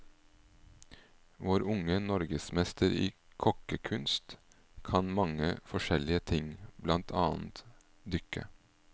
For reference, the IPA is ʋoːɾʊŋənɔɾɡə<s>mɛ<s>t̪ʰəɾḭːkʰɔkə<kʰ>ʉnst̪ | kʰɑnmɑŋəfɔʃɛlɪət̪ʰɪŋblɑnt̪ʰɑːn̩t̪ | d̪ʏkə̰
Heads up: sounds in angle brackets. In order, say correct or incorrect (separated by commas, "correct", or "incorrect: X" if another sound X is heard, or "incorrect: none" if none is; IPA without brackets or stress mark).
correct, correct, correct